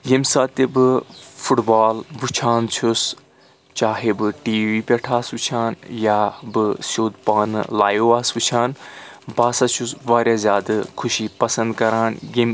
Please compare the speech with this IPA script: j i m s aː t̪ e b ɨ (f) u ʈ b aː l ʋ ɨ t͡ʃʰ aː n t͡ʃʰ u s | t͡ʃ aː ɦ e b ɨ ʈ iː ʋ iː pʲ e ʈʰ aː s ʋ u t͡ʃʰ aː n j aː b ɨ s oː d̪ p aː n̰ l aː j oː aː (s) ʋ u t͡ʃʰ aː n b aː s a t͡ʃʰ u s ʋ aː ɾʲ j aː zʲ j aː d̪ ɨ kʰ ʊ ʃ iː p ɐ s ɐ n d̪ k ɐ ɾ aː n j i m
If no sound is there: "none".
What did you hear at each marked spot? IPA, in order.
f, s

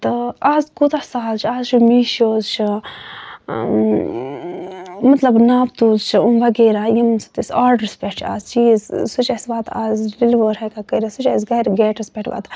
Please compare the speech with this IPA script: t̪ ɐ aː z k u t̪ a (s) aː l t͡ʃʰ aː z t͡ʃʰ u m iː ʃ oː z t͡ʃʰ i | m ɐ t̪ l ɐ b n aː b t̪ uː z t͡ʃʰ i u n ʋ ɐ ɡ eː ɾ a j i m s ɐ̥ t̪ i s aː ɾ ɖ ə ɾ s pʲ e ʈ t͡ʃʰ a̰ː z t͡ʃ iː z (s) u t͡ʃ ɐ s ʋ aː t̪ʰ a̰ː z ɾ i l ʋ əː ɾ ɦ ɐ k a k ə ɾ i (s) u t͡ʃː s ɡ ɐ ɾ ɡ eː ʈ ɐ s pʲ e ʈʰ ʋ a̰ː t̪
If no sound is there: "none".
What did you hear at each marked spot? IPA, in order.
s, s, s

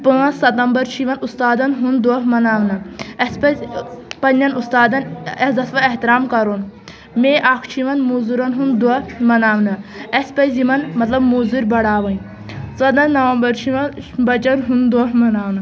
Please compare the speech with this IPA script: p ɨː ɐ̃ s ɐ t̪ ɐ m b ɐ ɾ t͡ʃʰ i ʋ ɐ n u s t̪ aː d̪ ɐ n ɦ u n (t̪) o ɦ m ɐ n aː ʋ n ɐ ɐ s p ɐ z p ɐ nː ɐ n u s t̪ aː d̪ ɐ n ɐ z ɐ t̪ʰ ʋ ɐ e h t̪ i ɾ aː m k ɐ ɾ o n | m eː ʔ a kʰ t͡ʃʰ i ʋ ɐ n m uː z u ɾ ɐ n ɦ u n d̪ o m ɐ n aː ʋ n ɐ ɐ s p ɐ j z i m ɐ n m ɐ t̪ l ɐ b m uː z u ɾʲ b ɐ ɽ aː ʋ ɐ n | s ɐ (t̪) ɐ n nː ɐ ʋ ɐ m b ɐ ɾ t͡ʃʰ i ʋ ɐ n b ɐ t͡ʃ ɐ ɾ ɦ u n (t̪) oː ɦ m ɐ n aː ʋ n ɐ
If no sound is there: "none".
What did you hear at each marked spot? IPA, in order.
d̪, d̪, d̪

